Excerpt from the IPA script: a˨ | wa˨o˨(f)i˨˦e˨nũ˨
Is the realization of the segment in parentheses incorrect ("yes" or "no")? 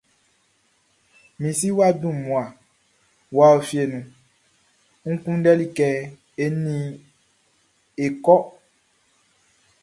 no